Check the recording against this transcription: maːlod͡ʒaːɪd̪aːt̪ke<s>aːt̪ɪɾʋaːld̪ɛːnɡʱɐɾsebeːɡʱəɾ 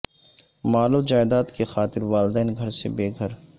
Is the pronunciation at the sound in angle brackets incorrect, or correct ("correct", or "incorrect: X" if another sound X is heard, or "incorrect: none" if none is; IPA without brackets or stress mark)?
incorrect: x